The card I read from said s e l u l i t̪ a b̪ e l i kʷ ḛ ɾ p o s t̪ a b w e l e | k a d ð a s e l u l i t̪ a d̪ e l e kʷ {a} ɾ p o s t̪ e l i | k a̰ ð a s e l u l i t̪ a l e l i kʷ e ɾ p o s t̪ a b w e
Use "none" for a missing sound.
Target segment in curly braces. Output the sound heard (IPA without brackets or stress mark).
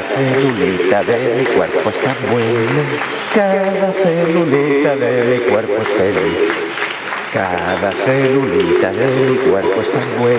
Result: e